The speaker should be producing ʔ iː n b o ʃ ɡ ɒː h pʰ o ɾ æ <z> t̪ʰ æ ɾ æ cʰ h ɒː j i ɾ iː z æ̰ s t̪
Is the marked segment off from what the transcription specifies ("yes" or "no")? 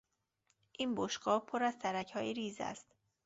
no